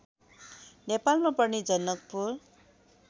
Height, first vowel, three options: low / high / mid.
mid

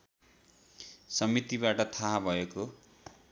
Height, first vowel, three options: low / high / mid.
mid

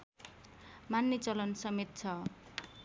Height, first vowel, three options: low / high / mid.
low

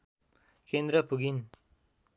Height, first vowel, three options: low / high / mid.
mid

